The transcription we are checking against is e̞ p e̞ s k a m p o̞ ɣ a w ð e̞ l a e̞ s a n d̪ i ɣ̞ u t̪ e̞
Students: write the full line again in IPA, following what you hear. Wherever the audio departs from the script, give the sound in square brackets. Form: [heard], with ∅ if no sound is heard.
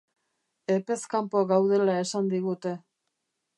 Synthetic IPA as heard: e̞ p e̞ s k a m p o̞ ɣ a w ð e̞ l a e̞ s a n d̪ i ɣ̞ u t̪ e̞